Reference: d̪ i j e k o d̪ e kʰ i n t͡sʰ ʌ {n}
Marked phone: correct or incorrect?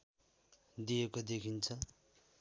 incorrect